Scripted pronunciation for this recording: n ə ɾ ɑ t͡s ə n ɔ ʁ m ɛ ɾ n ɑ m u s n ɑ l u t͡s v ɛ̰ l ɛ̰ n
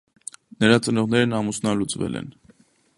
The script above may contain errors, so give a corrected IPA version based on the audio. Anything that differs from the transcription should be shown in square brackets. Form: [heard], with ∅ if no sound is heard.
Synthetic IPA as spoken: n ə ɾ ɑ t͡s ə n ɔ ʁ [n] ɛ ɾ n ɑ m u s n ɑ l u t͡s v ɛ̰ l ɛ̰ n